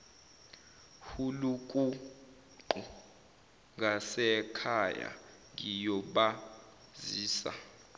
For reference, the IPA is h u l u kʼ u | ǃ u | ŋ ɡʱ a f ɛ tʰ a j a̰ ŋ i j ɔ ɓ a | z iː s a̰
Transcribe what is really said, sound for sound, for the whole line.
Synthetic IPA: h u l u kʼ u | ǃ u | ŋ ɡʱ a s ɛ kʰ a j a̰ ŋ i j ɔ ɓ a | z iː s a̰